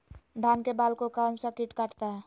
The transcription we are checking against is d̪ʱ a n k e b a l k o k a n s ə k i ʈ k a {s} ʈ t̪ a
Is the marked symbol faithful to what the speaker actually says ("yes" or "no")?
no